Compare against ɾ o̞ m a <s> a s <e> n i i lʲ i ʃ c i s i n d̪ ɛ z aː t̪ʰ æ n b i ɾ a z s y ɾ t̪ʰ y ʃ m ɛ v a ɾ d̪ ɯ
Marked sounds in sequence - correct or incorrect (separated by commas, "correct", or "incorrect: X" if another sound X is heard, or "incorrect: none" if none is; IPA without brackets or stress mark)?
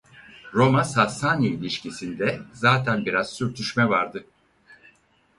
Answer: correct, incorrect: a